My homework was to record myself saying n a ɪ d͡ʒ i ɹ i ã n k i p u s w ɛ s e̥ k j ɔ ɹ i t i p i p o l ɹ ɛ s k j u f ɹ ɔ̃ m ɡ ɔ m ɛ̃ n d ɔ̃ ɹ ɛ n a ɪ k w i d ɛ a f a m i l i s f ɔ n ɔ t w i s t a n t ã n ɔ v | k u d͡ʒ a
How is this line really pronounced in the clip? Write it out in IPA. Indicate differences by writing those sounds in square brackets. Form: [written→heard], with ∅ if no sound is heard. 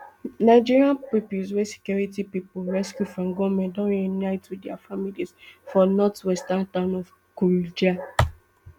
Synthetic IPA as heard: n a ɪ d͡ʒ i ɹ i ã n [k→p] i p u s w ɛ s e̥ k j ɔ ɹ i t i p i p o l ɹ ɛ s k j u f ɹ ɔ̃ m ɡ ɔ m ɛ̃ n d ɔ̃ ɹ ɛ n a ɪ [k→t] w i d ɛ a f a m i l i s f ɔ n ɔ t w [i→ɛ] s t a n t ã n ɔ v | k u d͡ʒ a